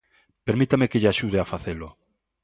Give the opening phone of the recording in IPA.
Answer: p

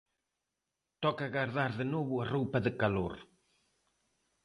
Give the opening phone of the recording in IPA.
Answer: t̪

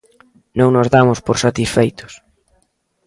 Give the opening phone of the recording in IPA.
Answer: n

